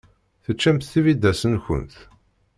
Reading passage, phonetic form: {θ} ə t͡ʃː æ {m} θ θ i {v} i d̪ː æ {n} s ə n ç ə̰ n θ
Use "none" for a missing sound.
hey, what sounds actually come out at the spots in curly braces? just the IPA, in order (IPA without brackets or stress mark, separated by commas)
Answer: θ, m, v, none